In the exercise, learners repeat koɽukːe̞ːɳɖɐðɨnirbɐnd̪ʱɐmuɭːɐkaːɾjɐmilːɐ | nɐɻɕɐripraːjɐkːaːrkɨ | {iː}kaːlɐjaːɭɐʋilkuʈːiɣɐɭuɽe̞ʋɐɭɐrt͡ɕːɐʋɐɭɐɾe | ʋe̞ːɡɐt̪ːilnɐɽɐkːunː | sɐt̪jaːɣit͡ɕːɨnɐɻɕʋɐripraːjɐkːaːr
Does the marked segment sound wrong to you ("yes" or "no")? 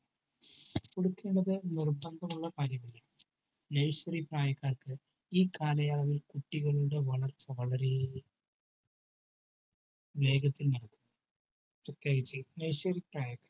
no